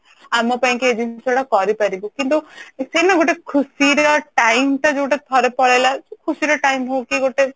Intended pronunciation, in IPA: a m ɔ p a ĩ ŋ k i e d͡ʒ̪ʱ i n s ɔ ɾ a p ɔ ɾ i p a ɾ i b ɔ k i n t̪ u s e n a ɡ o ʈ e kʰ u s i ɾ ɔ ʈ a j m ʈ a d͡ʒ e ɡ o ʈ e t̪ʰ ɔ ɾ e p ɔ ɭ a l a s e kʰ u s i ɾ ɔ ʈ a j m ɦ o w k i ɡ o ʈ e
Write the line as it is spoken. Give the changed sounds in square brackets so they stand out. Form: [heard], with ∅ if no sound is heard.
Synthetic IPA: a m ɔ p a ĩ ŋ k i e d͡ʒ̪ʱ i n s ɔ [ɽ] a [k] ɔ ɾ i p a ɾ i b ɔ k i n t̪ u s e n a ɡ o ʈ e kʰ u s i ɾ ɔ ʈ a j m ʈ a d͡ʒ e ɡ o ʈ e t̪ʰ ɔ ɾ e p ɔ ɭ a l a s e kʰ u s i ɾ ɔ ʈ a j m ɦ o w k i ɡ o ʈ e